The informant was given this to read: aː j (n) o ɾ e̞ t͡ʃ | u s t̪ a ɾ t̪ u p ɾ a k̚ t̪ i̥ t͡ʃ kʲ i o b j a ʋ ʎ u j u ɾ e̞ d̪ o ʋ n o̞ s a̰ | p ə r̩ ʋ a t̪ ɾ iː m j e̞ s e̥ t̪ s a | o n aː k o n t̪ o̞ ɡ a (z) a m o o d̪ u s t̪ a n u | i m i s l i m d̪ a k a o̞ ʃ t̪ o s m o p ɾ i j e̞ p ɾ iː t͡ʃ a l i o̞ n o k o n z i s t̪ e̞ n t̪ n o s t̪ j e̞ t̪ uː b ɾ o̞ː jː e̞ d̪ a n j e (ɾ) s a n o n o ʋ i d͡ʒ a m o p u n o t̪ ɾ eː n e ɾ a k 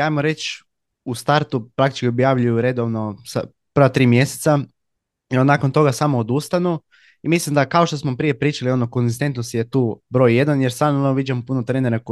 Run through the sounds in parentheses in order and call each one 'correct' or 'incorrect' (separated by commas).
incorrect, incorrect, correct